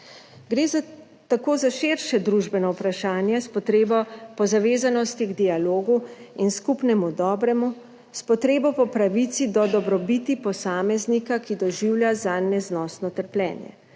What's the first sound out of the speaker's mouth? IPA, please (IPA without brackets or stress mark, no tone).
ɡ